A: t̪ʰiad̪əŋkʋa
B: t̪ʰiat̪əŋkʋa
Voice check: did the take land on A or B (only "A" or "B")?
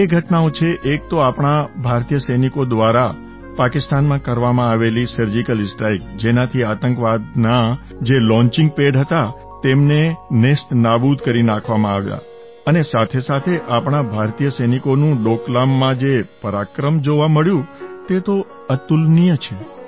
B